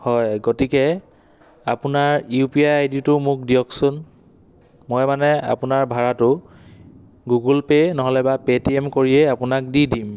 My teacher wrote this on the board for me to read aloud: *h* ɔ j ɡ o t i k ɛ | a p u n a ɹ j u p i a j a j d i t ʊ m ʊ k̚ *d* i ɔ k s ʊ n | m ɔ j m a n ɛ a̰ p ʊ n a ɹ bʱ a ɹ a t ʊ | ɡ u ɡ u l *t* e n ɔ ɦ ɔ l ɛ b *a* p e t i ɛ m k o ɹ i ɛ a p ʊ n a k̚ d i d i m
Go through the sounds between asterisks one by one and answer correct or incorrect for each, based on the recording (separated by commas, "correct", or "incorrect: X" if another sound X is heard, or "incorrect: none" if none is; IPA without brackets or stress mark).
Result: correct, correct, incorrect: p, correct